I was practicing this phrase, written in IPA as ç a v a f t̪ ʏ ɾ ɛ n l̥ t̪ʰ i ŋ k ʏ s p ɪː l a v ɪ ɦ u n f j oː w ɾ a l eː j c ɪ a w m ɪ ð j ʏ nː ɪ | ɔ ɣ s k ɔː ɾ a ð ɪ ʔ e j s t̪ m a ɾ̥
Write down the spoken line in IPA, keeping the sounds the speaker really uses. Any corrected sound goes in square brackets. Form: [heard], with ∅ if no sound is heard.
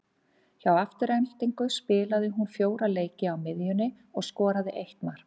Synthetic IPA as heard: ç a [w] a f t̪ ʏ ɾ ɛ n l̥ [t̪] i ŋ k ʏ s p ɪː l a [ð] ɪ ɦ u n f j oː w ɾ a l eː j c ɪ a w m ɪ ð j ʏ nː ɪ | ɔ ɣ s k ɔː ɾ a ð ɪ ʔ e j [h] t̪ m a ɾ̥